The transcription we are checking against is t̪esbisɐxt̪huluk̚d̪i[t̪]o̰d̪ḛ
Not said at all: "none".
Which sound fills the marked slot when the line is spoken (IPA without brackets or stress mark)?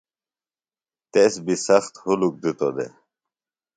t̪